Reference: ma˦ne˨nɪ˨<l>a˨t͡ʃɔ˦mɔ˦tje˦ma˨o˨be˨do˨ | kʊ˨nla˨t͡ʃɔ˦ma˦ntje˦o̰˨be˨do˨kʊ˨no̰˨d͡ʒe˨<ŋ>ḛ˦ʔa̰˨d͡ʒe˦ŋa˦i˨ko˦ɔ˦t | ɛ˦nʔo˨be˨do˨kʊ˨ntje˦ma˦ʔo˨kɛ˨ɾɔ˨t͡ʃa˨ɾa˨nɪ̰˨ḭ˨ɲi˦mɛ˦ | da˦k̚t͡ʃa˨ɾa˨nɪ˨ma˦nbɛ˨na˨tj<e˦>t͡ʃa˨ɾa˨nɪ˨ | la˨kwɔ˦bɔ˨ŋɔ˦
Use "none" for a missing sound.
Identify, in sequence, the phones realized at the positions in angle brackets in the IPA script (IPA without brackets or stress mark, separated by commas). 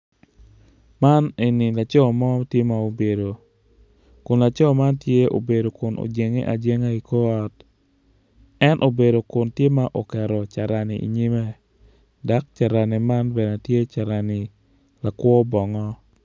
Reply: l, ŋ, e˦